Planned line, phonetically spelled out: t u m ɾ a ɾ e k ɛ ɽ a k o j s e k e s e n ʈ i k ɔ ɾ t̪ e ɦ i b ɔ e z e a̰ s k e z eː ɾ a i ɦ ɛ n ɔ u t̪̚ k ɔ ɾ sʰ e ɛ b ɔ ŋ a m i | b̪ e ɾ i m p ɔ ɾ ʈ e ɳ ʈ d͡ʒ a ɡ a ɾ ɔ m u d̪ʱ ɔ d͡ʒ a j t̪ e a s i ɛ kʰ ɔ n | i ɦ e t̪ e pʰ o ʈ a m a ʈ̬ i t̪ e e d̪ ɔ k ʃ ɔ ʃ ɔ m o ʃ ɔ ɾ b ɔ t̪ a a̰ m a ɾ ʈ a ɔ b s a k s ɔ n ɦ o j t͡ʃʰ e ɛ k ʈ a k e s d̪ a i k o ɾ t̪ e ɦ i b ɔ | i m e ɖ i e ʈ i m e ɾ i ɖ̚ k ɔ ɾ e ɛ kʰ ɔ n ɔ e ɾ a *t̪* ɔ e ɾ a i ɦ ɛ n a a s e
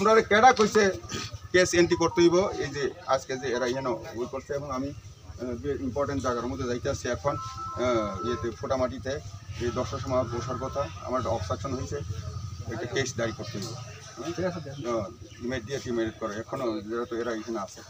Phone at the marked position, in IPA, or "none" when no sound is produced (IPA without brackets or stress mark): t̪